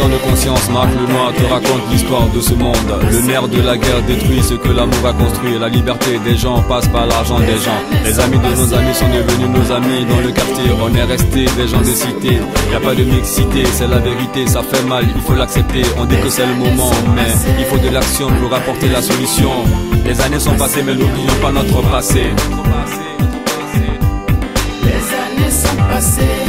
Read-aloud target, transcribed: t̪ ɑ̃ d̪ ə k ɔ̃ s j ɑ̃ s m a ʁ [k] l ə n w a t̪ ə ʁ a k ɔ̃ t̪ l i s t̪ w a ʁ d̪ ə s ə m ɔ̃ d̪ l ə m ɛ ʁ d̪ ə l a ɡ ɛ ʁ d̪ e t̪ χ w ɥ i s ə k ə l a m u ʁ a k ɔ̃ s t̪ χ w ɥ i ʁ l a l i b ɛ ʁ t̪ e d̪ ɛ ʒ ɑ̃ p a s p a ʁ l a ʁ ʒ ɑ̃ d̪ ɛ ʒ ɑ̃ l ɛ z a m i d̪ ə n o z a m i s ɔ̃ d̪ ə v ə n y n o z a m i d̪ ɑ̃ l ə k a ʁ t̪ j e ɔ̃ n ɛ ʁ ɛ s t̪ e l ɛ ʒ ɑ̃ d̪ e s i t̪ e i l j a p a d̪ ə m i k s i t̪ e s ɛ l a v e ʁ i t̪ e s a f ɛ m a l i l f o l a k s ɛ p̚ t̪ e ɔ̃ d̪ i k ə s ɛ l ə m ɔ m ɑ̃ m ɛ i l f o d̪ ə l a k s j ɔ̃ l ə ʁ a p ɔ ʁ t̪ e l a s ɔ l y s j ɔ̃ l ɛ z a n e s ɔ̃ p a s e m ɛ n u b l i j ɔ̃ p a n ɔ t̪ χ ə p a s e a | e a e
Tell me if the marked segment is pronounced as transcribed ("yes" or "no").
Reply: yes